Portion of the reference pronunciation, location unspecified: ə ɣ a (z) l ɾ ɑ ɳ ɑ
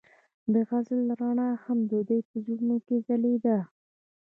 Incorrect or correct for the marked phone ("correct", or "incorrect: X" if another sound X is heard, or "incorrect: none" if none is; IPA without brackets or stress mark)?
correct